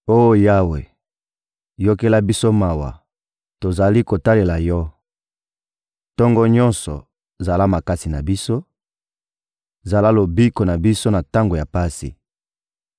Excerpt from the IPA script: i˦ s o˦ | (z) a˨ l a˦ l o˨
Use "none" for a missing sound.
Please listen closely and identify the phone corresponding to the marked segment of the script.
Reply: z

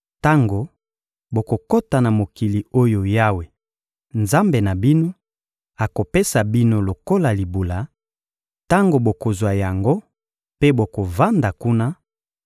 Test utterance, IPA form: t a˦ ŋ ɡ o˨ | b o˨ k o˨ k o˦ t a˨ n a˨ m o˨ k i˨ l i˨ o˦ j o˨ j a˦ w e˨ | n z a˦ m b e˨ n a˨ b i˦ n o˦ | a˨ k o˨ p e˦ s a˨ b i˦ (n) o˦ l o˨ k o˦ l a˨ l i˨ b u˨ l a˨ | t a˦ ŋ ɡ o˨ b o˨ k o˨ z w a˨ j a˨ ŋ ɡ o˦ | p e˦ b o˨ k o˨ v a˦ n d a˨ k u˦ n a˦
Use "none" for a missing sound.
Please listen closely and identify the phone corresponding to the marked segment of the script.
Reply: n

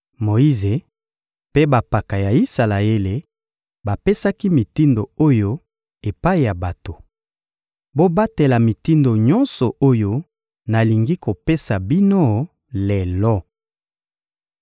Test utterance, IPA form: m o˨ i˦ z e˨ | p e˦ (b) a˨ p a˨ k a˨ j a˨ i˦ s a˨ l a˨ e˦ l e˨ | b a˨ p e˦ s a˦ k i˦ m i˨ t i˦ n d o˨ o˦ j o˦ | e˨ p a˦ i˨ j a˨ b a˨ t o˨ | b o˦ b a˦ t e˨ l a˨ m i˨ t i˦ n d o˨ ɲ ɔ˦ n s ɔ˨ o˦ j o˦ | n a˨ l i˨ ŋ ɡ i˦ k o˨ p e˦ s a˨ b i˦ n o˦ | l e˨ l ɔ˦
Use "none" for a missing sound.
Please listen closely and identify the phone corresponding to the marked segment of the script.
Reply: b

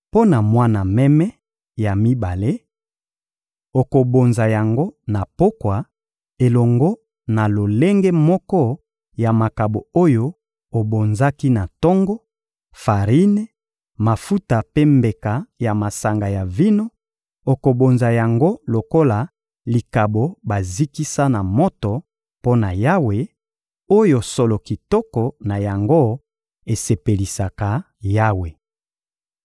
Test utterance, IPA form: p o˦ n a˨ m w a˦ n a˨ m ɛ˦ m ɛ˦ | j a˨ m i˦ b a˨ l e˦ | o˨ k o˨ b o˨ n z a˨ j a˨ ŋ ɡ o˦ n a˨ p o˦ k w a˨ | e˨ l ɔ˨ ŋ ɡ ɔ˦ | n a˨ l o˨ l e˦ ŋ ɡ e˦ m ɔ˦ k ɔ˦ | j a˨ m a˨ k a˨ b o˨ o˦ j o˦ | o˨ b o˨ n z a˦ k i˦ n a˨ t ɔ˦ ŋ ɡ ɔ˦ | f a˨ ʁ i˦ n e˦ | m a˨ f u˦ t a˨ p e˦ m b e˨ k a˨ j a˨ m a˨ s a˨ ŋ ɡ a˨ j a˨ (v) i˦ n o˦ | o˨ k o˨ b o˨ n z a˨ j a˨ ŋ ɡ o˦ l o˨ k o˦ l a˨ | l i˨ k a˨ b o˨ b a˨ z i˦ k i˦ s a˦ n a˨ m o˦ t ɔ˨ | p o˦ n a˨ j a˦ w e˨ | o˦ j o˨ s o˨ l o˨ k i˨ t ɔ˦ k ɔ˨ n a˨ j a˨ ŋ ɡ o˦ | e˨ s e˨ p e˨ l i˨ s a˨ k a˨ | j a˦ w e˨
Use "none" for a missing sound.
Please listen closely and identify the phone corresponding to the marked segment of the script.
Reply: v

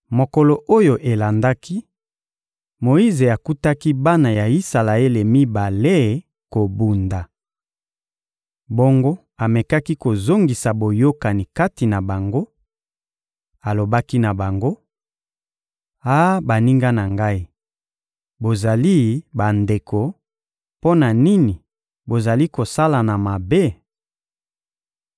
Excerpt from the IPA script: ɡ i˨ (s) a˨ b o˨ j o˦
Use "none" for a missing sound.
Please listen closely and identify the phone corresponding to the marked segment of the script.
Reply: s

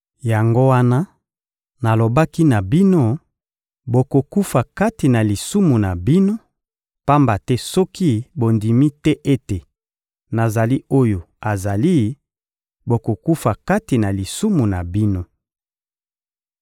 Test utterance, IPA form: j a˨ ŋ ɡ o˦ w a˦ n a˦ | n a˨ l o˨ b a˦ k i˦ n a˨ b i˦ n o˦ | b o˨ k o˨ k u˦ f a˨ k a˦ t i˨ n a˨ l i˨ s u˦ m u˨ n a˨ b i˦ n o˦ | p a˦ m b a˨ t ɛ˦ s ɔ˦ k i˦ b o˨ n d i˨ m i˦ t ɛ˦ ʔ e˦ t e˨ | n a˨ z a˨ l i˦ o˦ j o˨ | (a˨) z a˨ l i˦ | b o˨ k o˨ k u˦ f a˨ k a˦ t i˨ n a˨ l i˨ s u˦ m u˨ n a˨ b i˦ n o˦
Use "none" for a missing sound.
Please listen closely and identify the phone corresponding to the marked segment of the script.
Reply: a˨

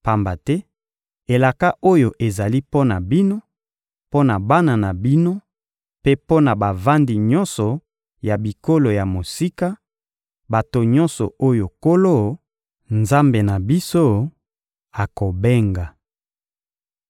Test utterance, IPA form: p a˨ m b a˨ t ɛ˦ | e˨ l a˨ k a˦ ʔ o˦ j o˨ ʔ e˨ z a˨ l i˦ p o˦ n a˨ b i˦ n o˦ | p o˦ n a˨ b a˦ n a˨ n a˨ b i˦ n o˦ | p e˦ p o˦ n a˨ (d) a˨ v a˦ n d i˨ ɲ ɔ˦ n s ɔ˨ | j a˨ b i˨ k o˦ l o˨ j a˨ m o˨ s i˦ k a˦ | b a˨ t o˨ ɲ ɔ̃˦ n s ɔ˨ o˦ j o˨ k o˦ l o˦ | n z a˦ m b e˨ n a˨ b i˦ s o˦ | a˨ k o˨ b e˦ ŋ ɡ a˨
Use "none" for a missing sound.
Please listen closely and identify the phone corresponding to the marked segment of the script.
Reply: b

